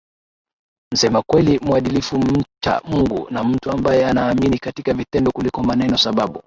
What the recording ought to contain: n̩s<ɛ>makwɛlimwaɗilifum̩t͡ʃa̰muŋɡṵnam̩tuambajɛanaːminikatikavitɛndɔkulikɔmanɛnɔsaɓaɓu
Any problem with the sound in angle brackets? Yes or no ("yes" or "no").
no